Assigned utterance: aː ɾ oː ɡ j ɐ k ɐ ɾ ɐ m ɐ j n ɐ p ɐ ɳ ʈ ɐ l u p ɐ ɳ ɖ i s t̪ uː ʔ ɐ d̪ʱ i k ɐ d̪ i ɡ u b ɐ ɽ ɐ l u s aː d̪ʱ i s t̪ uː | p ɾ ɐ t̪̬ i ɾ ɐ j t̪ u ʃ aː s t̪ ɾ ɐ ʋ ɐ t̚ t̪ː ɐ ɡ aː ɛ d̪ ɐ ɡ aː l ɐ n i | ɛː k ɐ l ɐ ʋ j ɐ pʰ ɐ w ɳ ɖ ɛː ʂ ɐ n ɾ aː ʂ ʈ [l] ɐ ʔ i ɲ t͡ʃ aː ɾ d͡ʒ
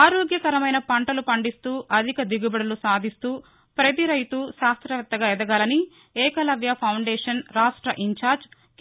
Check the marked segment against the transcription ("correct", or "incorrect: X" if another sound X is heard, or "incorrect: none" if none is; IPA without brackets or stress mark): incorrect: ɾ